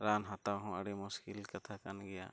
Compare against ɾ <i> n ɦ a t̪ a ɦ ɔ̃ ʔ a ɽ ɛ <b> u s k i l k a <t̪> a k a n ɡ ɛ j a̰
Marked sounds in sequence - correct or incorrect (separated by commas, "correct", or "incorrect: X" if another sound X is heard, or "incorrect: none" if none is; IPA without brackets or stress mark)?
incorrect: a, incorrect: m, incorrect: t̪ʰ